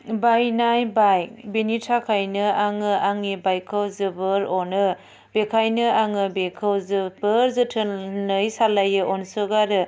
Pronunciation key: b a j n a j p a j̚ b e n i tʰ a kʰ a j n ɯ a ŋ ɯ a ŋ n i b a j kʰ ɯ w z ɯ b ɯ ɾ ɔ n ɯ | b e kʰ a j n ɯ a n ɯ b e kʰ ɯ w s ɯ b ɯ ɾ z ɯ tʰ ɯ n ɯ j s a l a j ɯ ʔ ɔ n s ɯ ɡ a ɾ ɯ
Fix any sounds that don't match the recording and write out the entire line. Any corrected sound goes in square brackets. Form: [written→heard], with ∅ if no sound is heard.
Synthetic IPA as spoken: b a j n a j [p→b] a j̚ b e n i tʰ a kʰ a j n ɯ a ŋ ɯ a ŋ n i b a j kʰ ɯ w z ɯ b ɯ ɾ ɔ n ɯ | b e kʰ a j n ɯ a [n→ŋ] ɯ b e kʰ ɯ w [s→z] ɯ b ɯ ɾ z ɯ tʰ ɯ n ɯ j s a l a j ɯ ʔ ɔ n s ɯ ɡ a ɾ ɯ